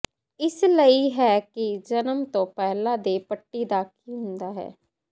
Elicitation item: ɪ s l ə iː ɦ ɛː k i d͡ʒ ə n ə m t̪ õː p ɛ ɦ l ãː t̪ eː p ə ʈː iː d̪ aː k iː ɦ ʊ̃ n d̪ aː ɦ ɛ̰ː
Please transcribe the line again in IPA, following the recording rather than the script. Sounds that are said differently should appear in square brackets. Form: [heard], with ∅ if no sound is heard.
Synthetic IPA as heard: ɪ s l ə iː ɦ ɛː k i d͡ʒ ə n ə m t̪ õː p ɛ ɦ l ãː [d̪] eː p ə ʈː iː d̪ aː k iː ɦ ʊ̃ n d̪ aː ɦ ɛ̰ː